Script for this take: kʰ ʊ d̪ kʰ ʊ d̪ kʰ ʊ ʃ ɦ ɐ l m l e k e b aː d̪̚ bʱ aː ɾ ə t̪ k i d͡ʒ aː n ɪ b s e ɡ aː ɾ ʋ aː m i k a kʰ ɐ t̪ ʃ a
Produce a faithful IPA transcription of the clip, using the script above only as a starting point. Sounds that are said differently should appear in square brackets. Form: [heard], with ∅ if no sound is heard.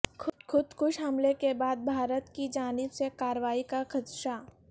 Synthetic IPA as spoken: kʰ ʊ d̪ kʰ ʊ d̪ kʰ ʊ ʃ ɦ ɐ [∅] m l e k e b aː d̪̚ bʱ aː ɾ ə t̪ k i d͡ʒ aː n ɪ b s e [k] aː ɾ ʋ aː [∅] i k a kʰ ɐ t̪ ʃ a